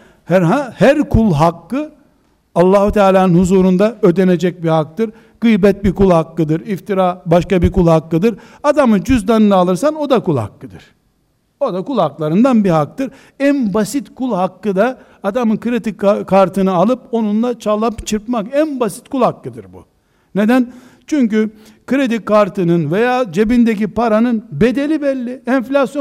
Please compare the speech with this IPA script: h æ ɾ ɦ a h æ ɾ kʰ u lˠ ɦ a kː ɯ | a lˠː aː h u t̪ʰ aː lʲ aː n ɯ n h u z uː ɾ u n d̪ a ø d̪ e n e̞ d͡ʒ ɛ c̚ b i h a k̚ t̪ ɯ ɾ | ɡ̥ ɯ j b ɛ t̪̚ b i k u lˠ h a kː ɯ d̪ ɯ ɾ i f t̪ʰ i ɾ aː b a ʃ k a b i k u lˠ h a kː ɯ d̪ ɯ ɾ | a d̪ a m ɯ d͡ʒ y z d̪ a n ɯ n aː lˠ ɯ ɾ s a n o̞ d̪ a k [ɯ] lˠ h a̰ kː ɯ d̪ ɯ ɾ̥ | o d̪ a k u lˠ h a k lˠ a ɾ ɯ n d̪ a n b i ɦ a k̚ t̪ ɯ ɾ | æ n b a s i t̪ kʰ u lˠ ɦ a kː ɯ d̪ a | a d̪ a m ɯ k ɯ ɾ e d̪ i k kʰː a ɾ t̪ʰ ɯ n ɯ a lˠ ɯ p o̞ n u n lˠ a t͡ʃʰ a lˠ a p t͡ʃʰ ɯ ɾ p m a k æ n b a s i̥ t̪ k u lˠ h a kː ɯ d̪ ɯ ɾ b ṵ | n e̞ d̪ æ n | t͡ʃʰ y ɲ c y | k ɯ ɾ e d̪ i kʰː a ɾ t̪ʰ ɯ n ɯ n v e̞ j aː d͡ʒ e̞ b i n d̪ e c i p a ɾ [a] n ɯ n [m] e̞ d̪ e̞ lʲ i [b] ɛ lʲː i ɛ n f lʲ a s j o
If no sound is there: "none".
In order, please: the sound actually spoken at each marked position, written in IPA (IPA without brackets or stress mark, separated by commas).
u, a, b, b